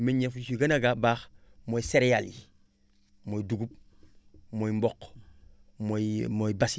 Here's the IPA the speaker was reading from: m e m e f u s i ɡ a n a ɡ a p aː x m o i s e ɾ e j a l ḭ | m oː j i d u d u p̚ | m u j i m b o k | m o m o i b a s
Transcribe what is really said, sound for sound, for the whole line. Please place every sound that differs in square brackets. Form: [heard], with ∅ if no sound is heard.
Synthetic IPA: m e [ɲ] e f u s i ɡ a n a ɡ a [b] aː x m o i s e ɾ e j a l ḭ | m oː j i d u [ɡ] u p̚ | m [o] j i m b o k | m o m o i b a s